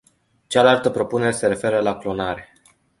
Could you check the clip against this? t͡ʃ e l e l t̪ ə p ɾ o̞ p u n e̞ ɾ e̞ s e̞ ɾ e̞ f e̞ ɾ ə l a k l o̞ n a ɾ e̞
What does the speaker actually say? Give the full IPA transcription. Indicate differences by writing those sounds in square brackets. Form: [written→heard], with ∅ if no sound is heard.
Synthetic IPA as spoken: t͡ʃ [e→a] l [e→a] l t̪ ə p ɾ o̞ p u n e̞ ɾ e̞ s e̞ ɾ e̞ f e̞ ɾ ə l a k l o̞ n a ɾ e̞